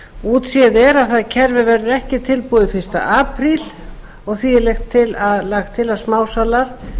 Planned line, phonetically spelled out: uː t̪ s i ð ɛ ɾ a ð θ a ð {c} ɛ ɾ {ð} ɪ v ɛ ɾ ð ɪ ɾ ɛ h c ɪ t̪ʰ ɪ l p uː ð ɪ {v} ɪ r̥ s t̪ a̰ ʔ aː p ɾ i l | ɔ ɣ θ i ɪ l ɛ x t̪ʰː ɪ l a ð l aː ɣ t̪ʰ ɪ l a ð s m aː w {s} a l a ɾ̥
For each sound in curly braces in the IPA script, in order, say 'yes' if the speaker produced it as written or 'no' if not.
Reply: no, no, no, yes

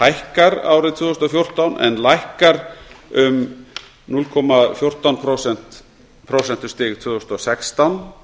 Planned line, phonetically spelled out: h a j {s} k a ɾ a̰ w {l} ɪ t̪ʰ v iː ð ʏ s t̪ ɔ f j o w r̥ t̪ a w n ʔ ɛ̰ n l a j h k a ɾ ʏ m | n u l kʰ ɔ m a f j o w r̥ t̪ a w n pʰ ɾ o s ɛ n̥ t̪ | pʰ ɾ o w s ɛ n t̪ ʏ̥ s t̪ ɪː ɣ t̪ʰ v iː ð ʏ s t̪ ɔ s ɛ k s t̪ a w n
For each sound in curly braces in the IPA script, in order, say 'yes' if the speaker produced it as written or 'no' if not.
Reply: no, no

